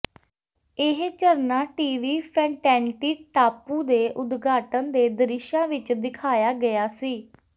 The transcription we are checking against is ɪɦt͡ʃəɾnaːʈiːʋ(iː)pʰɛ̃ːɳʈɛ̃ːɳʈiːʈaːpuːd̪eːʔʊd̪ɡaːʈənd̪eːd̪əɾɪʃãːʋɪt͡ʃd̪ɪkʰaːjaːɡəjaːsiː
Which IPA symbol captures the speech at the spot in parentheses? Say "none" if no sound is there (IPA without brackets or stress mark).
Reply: iː